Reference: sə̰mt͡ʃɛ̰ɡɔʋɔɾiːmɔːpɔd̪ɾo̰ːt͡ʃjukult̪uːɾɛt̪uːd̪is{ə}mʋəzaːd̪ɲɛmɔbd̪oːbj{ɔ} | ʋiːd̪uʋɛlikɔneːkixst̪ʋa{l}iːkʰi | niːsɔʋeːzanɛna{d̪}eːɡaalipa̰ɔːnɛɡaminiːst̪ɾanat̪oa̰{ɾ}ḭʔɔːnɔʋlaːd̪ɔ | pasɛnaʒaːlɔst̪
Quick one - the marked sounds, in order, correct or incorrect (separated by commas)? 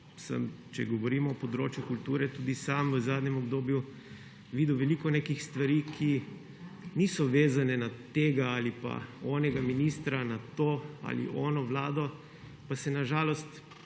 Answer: incorrect, incorrect, incorrect, incorrect, incorrect